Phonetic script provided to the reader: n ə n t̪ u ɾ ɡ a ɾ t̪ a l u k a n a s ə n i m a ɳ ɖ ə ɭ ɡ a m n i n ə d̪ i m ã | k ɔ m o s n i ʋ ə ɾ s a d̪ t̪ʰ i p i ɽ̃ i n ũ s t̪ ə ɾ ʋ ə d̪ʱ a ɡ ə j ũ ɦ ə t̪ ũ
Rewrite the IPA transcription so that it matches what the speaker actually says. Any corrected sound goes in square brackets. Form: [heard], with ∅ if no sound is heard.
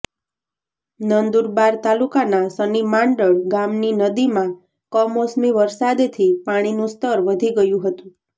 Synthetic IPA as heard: n ə n [d̪] u ɾ [b] a ɾ t̪ a l u k a n a s ə n i m a ɳ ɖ ə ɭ ɡ a m n i n ə d̪ i m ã | k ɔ m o s [m] i ʋ ə ɾ s a d̪ t̪ʰ i p [a] ɽ̃ i n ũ s t̪ ə ɾ ʋ ə d̪ʱ [i] ɡ ə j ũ ɦ ə t̪ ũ